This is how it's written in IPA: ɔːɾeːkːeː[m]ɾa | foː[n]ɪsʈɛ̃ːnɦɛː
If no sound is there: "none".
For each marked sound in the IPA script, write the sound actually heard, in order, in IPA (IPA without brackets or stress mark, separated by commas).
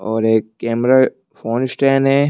m, n